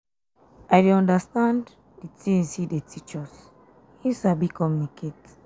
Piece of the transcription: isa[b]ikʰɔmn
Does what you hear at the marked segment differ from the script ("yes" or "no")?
no